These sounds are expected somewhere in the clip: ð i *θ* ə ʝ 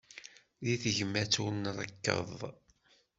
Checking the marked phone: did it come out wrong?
no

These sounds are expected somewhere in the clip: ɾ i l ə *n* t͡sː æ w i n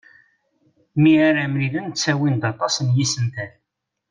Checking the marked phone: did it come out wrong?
no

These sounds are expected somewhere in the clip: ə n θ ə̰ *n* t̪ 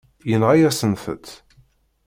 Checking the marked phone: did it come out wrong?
yes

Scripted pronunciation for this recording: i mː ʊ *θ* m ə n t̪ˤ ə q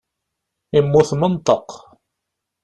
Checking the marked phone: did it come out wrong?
no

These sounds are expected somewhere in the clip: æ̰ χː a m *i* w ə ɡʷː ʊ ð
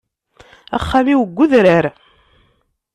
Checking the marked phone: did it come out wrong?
no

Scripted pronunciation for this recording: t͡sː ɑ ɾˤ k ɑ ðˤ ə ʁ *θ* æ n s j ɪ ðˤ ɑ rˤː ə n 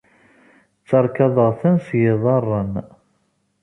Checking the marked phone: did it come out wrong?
no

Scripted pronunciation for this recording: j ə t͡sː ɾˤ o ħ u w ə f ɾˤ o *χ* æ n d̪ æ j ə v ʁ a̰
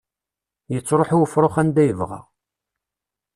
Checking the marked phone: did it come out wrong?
no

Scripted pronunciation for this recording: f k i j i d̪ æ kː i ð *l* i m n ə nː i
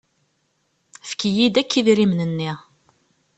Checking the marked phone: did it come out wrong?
yes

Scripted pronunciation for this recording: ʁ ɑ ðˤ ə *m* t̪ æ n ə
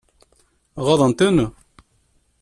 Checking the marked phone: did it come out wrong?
yes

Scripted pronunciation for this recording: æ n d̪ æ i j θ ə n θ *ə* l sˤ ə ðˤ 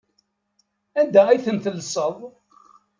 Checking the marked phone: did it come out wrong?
no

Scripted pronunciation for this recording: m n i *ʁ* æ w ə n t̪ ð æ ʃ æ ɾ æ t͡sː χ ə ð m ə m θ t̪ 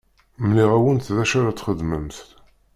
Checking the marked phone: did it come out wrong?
no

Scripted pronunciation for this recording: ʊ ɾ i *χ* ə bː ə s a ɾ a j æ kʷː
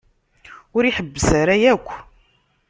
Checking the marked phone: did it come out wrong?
yes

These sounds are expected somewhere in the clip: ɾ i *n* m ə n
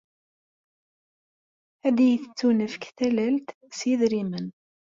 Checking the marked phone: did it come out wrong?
yes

